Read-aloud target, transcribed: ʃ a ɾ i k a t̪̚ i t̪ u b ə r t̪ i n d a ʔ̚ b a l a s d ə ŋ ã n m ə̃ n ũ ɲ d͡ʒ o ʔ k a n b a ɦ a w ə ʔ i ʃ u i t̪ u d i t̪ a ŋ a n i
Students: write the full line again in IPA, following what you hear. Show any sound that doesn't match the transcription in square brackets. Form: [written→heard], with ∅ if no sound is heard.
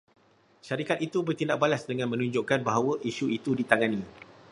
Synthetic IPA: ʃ a ɾ i k a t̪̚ i t̪ u b ə r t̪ i n d a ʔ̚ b a l a s d ə ŋ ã n m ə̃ n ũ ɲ d͡ʒ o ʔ k a n b a ɦ a w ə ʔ i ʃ u i t̪ u d i t̪ a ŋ a n i